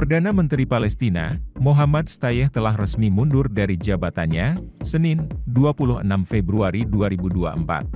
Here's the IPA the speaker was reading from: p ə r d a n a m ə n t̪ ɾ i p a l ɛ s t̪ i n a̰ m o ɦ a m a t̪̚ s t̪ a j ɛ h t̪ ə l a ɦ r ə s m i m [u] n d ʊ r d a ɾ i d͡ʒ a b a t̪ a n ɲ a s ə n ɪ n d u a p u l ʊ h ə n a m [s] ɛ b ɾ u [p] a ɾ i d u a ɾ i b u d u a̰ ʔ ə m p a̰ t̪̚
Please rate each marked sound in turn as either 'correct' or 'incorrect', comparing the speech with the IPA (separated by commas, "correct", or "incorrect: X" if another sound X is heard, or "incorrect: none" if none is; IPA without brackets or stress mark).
correct, incorrect: f, incorrect: none